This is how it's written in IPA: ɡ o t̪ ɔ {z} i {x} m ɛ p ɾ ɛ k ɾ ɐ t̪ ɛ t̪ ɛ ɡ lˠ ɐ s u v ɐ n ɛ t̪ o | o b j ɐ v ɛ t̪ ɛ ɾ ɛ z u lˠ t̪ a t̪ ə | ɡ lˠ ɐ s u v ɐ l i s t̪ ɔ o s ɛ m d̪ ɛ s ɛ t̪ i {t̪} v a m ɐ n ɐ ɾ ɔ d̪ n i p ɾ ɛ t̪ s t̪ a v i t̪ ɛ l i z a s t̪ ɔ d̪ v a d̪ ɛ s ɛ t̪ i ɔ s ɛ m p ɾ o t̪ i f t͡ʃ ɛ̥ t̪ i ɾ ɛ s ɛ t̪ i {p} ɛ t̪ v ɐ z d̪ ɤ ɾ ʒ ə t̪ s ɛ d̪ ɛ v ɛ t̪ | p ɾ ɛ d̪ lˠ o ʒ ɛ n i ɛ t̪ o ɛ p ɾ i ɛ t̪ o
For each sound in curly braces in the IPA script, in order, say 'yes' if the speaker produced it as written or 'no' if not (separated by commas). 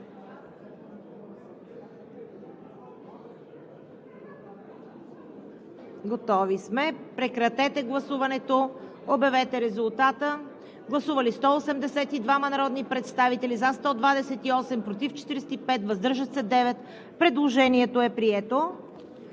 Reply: no, no, no, yes